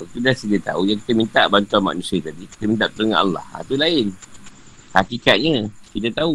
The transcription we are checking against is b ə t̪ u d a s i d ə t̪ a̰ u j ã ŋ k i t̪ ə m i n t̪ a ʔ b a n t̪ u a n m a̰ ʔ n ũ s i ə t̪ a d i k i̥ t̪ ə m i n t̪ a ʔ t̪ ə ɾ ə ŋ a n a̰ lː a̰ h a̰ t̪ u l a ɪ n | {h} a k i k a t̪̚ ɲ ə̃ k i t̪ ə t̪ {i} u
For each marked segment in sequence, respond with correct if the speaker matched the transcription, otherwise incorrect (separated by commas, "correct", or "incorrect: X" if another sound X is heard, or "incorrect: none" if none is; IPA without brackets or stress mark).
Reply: correct, incorrect: a